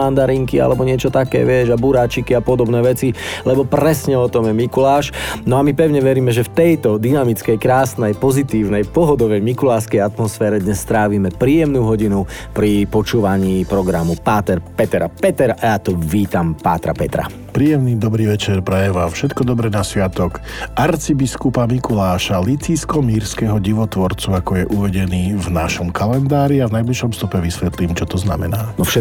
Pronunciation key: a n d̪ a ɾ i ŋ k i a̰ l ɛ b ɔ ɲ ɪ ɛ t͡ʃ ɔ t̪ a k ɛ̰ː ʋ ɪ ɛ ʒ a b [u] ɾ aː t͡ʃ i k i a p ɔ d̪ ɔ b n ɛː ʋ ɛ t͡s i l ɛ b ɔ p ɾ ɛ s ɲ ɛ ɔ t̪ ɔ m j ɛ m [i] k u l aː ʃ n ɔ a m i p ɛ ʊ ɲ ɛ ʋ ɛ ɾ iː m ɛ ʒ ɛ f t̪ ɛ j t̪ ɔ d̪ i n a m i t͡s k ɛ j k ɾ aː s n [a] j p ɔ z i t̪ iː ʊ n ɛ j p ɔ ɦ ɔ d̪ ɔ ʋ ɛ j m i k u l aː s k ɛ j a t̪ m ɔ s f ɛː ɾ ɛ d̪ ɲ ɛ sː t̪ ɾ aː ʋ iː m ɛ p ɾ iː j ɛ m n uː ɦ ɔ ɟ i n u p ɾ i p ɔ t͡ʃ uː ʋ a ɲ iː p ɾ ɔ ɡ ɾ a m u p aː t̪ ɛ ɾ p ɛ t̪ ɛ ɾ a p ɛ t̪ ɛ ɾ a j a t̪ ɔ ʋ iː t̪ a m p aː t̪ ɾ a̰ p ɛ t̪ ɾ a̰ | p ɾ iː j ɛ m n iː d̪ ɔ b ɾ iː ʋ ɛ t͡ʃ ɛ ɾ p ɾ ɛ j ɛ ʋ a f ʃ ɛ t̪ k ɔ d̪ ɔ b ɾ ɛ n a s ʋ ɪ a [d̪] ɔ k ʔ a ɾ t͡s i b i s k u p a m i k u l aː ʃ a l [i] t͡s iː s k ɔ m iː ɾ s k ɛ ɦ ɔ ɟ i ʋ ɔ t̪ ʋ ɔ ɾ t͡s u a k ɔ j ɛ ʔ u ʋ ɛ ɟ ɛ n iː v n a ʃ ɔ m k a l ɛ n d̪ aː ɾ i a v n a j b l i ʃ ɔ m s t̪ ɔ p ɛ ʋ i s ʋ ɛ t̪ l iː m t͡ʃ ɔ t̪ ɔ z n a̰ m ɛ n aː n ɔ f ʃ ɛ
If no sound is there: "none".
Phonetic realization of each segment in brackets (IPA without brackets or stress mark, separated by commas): u, i, ɛ, t̪, i